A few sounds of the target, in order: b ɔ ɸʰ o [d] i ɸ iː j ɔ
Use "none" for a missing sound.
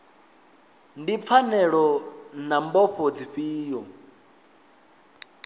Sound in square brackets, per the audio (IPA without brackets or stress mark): d͡z